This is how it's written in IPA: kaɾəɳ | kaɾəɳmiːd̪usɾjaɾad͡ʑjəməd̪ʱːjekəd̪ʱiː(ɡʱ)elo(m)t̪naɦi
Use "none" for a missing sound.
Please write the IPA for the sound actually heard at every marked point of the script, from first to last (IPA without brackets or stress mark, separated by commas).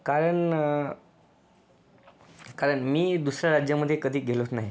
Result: ɡʱ, none